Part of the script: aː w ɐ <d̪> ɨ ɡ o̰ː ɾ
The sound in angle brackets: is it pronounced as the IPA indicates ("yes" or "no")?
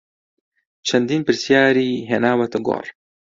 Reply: no